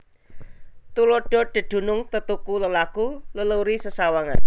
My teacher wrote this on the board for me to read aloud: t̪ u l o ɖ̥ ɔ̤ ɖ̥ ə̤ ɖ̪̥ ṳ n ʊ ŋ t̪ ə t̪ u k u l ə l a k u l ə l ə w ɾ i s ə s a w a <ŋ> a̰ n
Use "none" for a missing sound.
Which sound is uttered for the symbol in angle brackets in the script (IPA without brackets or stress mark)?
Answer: ŋ